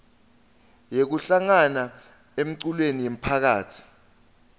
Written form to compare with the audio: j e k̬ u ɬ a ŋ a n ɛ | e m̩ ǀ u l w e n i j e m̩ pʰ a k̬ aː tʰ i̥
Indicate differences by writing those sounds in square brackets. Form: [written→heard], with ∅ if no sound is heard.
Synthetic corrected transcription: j e k̬ u ɬ a ŋ a n [ɛ→a] | e m̩ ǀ u l w e n i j e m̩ pʰ a k̬ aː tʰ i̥